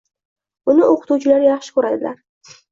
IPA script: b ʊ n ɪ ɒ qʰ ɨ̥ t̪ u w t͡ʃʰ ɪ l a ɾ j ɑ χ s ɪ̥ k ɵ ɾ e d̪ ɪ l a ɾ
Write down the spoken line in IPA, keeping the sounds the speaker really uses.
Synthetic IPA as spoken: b ʊ n ɪ o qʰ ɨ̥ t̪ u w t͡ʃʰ ɪ l a ɾ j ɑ χ ʃ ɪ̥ k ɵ ɾ a d̪ ɪ l a ɾ